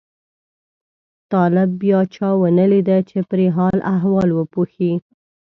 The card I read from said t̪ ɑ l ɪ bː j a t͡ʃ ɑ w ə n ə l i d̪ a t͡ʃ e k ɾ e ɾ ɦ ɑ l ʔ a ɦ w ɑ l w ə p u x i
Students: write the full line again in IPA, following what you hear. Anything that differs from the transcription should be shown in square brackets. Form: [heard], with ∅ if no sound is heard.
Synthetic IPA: t̪ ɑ l ɪ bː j [ɑ] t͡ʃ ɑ w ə n ə l i d̪ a t͡ʃ e [p] ɾ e [∅] ɦ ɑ l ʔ a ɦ w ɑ l w ə p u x i